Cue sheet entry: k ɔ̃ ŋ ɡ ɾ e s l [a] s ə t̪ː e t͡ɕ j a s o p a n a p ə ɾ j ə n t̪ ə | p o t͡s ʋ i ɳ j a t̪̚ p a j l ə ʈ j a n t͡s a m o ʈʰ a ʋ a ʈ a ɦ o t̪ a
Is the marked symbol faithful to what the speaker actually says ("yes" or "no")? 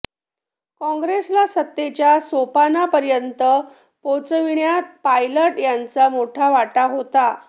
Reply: yes